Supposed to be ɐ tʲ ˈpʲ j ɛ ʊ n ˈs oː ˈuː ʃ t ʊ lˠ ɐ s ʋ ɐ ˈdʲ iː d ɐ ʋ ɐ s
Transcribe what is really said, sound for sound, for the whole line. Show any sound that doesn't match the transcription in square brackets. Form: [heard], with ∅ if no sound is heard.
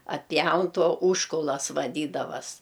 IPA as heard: ɐ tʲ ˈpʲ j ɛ ʊ n [ˈt] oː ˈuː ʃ [k] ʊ lˠ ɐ s ʋ ɐ ˈdʲ iː d ɐ ʋ ɐ s

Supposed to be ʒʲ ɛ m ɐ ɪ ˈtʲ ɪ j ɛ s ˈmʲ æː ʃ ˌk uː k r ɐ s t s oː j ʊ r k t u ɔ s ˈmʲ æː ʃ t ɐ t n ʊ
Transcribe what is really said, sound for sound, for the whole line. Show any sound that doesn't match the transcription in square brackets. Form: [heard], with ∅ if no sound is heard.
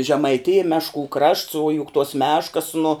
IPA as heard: ʒʲ ɛ m ɐ ɪ ˈtʲ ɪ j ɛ [∅] ˈmʲ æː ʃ ˌk uː k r ɐ [ʃ] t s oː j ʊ [∅] k t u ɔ s ˈmʲ æː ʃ [k] ɐ [s] n ʊ

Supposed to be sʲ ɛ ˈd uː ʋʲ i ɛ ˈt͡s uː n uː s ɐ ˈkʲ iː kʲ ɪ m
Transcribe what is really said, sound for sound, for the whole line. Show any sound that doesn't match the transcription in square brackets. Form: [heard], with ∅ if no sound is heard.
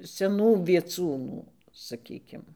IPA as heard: sʲ ɛ [ˈn] uː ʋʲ i ɛ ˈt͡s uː n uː s ɐ ˈkʲ iː kʲ ɪ m

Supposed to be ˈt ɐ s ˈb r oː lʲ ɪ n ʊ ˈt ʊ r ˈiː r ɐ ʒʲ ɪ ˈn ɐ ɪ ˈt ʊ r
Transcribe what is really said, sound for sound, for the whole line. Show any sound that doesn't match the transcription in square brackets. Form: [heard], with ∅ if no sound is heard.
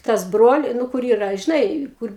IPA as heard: ˈt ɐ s ˈb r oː lʲ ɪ n ʊ [ˈk] ʊ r ˈiː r ɐ ʒʲ ɪ ˈn ɐ ɪ [ˈk] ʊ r

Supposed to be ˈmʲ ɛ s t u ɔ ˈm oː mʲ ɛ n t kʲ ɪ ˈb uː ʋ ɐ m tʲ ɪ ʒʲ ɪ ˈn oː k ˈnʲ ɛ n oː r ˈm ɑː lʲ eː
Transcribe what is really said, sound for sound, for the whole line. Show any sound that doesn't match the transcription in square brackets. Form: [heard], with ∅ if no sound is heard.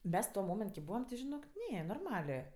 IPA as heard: ˈmʲ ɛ s t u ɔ ˈm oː mʲ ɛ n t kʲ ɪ ˈb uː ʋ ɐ m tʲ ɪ ʒʲ ɪ ˈn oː k ˈnʲ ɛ n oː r ˈm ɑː lʲ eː

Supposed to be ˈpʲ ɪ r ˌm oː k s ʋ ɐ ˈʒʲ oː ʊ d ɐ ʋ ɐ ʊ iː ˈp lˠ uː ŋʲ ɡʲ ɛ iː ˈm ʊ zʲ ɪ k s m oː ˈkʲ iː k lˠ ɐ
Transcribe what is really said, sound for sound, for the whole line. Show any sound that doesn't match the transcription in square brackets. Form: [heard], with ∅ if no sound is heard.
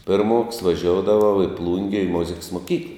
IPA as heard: ˈpʲ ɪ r ˌm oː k s ʋ ɐ ˈʒʲ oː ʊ d ɐ ʋ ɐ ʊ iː ˈp lˠ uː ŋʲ ɡʲ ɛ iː ˈm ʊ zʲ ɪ k s m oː ˈkʲ iː k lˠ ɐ

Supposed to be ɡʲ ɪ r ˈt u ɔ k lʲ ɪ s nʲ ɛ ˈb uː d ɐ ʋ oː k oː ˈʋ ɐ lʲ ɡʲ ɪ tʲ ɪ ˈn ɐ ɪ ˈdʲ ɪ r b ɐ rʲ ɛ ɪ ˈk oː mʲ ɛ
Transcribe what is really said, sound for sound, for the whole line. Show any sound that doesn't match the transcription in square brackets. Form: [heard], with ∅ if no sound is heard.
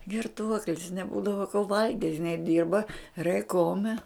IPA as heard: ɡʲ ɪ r ˈt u ɔ k lʲ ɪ s nʲ ɛ ˈb uː d ɐ ʋ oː k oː ˈʋ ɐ lʲ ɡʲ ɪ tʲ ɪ ˈn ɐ ɪ ˈdʲ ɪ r b ɐ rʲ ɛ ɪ ˈk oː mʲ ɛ

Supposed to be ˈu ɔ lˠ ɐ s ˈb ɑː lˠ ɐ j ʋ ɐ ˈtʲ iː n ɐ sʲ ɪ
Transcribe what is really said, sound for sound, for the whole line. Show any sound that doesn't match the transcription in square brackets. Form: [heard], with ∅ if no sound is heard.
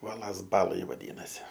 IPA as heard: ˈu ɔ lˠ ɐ s ˈb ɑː lˠ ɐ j ʋ ɐ [ˈdʲ] iː n ɐ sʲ ɪ

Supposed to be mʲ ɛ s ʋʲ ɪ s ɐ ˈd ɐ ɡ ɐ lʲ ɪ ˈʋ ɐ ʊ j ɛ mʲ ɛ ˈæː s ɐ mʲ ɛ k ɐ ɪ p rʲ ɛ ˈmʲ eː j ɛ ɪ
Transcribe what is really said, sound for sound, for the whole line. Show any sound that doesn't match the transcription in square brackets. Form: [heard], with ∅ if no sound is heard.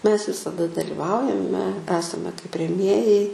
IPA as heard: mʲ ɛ s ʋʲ ɪ s ɐ ˈd ɐ [d] ɐ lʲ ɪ ˈʋ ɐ ʊ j ɛ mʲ ɛ ˈæː s ɐ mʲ ɛ k ɐ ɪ p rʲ ɛ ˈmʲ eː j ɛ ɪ

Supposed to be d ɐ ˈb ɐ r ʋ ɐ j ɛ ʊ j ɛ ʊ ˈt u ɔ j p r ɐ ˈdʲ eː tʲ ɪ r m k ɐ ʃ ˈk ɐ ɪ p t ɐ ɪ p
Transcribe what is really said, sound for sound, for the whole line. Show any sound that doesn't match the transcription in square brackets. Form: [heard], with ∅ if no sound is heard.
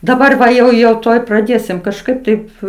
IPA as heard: d ɐ ˈb ɐ r ʋ ɐ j ɛ ʊ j ɛ ʊ ˈt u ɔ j p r ɐ ˈdʲ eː [sʲ] ɪ [∅] m k ɐ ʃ ˈk ɐ ɪ p t ɐ ɪ p

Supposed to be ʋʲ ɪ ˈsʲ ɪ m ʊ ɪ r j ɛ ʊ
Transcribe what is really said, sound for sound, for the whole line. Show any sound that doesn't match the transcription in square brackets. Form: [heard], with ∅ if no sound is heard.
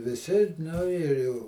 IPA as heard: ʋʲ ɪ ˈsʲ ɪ [n] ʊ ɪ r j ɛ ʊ

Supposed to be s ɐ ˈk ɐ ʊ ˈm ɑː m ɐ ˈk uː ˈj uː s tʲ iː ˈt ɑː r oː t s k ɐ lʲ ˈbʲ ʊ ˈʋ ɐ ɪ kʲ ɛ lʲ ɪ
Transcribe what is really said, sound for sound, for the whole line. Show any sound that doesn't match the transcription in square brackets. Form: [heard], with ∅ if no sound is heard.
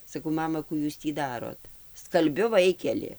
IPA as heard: s ɐ ˈk ɐ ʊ ˈm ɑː m ɐ ˈk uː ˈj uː s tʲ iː [ˈd] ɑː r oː t s k ɐ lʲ ˈbʲ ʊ ˈʋ ɐ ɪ kʲ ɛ lʲ ɪ

